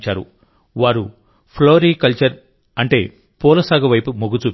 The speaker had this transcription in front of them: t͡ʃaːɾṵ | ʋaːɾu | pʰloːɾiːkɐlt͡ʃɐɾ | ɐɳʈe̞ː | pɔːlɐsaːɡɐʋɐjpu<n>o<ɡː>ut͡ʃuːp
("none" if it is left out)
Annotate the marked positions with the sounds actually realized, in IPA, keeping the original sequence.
m, ɡ

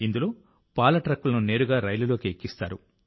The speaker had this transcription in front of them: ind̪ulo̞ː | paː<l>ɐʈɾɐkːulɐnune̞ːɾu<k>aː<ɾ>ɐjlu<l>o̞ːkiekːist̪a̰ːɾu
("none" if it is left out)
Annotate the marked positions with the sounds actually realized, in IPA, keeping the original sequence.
l, ɡ, ɾ, l

